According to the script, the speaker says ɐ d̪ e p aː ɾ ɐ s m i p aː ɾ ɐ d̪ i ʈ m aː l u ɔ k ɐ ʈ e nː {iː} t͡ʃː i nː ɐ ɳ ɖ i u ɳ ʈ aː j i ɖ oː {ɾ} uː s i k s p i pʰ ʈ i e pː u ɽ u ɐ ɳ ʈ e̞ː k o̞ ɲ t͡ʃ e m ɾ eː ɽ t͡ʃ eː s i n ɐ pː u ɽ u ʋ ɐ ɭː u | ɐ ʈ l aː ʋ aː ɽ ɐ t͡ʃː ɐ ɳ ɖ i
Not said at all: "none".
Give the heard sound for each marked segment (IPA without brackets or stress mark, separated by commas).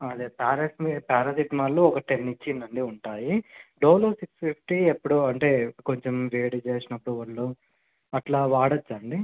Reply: i, l